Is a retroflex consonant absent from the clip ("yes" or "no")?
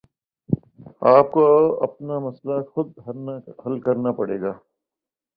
no